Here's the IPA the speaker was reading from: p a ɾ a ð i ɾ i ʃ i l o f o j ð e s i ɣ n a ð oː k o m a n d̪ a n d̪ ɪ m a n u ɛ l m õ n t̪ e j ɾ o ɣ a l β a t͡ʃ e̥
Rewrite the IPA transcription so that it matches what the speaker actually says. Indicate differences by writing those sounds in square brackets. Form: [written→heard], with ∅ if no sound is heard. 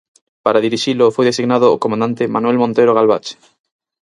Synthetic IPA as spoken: p a ɾ a ð i ɾ i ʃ i l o f o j ð e s i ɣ n a ð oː k o m a n d̪ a n [d̪→t̪] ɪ m a n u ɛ l m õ n t̪ e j ɾ o ɣ a l β a t͡ʃ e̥

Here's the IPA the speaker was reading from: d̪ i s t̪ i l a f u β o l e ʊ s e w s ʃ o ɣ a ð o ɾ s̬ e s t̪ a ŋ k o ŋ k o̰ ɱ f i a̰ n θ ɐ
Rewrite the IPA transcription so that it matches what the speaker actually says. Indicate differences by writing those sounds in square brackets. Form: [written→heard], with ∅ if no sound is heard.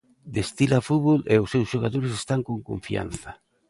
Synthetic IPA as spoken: d̪ [i→e] s t̪ i l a f u β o l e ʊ s e w s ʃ o ɣ a ð o ɾ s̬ e s t̪ a ŋ k o ŋ k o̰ ɱ f i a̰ n θ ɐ

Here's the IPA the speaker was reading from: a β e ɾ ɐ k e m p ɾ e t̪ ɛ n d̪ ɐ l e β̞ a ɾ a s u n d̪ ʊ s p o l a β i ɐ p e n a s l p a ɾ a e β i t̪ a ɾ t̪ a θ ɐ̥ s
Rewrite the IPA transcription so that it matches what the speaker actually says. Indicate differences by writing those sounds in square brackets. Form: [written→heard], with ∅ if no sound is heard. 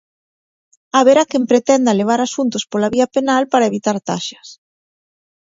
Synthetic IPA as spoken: a β e ɾ [ɐ→a] k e m p ɾ e t̪ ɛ n d̪ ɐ l e β̞ a ɾ a s u n [d̪→t̪] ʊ s p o l a β i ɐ p e n a [s→∅] l p a ɾ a e β i t̪ a ɾ t̪ a [θ→ʃ] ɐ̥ s

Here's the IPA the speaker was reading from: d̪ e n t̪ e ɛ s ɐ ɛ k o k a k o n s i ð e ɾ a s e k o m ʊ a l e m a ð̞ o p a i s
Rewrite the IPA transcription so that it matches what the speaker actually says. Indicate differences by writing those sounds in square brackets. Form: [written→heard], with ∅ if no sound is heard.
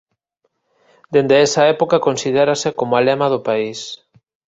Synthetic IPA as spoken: d̪ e n [t̪→d̪] e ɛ s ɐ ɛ [k→p] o k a k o n s i ð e ɾ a s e k o m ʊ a l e m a ð̞ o p a i s

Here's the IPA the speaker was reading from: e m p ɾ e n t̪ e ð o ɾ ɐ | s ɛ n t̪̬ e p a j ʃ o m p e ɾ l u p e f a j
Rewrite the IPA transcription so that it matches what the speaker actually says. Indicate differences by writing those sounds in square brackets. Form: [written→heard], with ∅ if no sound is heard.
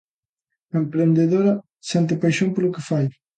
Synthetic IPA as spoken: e m p ɾ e n [t̪→d̪] e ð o ɾ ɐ | s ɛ n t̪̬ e p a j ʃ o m p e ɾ l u [p→k] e f a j

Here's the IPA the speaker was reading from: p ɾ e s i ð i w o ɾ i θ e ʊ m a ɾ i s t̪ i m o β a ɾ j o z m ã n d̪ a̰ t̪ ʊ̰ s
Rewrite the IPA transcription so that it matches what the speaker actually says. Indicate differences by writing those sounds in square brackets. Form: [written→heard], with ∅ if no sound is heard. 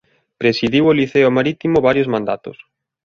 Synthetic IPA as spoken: p ɾ e s i ð i w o [ɾ→l] i θ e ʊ m a ɾ i [s→∅] t̪ i m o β a ɾ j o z m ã n d̪ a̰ t̪ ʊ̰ s

